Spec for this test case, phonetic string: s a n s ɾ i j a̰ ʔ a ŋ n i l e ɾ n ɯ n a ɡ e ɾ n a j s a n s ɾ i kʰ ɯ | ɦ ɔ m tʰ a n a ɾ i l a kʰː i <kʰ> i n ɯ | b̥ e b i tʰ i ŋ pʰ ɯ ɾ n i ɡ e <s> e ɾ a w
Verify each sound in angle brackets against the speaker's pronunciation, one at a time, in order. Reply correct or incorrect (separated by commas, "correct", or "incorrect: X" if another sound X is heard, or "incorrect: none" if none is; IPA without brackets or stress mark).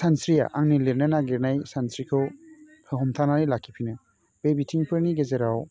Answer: incorrect: pʰ, incorrect: z